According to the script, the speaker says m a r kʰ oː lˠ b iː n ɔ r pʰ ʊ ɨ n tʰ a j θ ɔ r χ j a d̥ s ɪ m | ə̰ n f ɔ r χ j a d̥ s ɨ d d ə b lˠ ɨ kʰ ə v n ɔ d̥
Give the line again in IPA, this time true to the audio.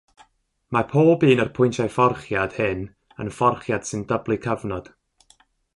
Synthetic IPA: m a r pʰ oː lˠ b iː n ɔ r pʰ ʊ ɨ n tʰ a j f ɔ r χ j a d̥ h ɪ n | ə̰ n f ɔ r χ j a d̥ s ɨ n d ə b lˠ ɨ kʰ ə v n ɔ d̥